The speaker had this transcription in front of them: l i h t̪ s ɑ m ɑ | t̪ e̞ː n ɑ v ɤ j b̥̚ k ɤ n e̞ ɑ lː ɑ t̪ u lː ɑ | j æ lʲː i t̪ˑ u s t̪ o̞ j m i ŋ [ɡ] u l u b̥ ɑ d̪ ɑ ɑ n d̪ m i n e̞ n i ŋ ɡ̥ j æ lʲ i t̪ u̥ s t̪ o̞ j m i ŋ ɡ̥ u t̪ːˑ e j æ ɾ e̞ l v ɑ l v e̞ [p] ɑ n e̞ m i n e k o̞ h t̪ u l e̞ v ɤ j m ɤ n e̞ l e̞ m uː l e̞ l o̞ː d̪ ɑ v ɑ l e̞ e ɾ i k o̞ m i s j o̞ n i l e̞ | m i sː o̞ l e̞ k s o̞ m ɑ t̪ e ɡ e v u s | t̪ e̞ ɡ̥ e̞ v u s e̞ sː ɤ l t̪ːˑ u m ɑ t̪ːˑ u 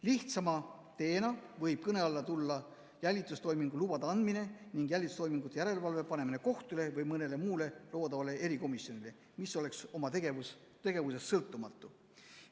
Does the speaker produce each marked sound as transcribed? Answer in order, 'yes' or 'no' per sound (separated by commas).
yes, yes